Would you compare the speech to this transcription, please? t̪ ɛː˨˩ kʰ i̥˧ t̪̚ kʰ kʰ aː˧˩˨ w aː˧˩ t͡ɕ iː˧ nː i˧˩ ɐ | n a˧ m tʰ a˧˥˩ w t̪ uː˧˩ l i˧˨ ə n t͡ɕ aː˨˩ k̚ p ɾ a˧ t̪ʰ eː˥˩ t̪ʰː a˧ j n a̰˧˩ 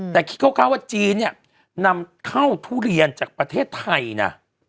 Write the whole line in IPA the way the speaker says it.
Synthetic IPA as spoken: t̪ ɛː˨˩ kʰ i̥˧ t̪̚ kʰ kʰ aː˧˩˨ w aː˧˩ t͡ɕ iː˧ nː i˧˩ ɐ | n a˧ m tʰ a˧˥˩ w t̪ʰ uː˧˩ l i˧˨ ə n t͡ɕ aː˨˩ k̚ p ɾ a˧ t̪ʰ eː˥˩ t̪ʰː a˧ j n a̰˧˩